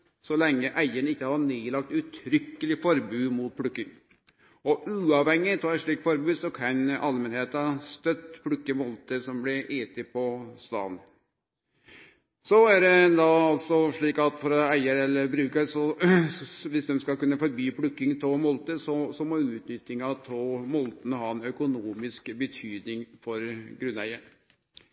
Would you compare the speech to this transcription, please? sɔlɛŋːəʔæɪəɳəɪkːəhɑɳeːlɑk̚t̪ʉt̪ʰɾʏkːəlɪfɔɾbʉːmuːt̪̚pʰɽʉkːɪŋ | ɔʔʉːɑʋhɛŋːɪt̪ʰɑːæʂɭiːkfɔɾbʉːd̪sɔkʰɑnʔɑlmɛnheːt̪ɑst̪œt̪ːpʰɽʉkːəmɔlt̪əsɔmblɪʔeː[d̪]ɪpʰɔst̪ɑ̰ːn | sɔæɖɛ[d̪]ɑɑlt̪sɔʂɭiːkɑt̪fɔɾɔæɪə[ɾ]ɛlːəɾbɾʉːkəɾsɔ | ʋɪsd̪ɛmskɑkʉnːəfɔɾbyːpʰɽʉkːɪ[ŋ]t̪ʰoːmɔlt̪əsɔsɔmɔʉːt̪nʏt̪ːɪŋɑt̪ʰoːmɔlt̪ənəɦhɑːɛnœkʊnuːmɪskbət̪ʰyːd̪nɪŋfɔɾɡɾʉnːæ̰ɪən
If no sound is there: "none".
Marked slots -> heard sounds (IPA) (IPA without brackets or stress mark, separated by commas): t̪, d̪, ɾ, ŋ